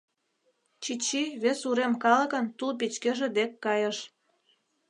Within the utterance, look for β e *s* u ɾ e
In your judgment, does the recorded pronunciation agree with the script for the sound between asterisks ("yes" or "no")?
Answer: yes